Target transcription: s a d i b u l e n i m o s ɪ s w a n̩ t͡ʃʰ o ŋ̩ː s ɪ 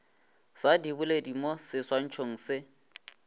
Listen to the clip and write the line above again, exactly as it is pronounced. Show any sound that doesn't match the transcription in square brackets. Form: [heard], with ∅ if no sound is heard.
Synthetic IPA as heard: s a d i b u l e [d] i m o s ɪ s w a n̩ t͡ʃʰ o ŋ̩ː s ɪ